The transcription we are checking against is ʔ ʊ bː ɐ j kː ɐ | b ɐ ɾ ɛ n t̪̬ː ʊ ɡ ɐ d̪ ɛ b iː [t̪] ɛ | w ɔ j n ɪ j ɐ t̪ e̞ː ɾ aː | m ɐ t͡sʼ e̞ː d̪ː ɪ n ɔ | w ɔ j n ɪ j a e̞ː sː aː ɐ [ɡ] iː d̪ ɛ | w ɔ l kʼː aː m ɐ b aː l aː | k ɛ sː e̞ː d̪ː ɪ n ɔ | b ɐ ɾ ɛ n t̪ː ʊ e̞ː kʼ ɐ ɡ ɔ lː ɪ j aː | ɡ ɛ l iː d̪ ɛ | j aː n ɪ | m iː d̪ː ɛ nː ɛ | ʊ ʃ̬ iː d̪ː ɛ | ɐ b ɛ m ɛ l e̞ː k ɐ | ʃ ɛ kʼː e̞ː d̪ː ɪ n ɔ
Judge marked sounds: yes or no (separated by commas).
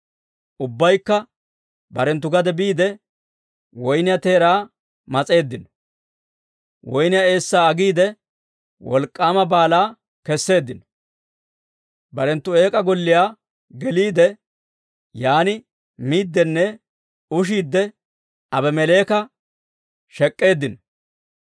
no, yes